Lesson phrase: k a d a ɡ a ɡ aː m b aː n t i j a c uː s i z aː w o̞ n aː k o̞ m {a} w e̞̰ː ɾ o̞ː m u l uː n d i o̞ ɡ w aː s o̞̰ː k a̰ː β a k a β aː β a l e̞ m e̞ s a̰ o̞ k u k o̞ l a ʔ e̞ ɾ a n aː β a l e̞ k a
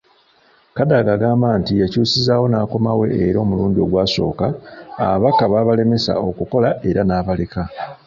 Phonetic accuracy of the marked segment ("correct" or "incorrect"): correct